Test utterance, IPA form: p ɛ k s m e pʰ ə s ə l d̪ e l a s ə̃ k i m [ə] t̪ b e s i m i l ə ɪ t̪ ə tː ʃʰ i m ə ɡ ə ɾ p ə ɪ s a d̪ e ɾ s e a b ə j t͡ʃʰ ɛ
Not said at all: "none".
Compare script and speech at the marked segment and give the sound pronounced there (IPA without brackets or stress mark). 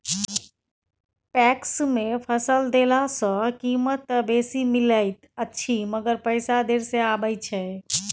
ə